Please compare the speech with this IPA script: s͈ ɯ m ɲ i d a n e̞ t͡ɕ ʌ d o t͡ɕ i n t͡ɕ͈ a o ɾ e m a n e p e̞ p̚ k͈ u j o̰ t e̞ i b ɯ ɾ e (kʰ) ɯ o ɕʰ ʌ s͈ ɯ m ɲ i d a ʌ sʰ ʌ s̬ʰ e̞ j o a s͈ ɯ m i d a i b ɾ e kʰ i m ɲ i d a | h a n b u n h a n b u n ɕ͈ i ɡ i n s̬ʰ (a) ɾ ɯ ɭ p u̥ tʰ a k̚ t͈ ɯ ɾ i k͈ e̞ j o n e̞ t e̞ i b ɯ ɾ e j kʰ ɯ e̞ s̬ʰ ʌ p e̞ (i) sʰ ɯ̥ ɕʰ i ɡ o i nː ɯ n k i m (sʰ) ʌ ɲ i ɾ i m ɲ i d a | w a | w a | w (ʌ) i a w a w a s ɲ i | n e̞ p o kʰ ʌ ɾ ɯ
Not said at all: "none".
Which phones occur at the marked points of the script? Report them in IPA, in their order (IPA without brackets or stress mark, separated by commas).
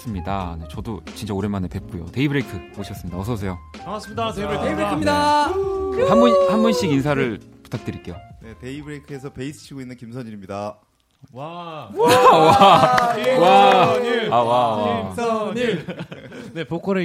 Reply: kʰ, a, i, sʰ, a